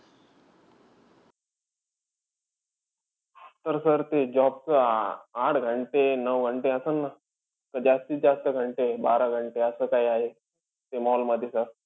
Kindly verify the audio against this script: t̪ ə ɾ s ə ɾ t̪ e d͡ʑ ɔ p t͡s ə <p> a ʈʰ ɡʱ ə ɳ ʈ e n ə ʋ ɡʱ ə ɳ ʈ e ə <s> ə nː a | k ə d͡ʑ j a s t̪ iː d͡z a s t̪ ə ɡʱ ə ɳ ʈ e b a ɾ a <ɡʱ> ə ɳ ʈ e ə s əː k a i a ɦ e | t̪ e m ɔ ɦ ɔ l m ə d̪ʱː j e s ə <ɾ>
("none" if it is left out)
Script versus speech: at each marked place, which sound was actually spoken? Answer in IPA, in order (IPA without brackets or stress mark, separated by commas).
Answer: none, s, ɡʱ, ɾ